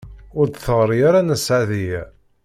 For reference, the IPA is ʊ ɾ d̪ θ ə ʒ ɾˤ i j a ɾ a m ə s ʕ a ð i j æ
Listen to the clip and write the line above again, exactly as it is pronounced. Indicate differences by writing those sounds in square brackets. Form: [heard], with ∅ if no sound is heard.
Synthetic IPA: ʊ ɾ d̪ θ ə [ʁ] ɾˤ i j a ɾ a [n] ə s ʕ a ð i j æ